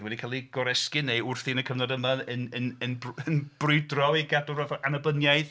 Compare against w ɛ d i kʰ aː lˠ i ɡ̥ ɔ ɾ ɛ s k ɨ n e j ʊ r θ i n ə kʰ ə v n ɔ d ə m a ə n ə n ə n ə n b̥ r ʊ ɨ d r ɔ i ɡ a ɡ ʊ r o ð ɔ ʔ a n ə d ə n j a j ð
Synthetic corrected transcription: w ɛ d i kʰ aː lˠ i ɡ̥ ɔ ɾ ɛ s k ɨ n e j ʊ r θ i n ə kʰ ə v n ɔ d ə m a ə n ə n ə n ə n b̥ r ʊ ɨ d r ɔ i ɡ a d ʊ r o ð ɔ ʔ a n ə b ə n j a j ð